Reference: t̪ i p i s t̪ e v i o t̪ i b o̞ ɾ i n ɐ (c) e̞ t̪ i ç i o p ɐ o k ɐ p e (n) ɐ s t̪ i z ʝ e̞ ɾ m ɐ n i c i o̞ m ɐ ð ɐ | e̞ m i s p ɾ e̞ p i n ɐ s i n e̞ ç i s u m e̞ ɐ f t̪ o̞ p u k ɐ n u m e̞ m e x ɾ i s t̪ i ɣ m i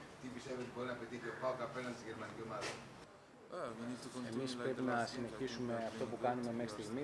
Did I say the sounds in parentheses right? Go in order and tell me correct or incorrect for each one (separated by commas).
incorrect, correct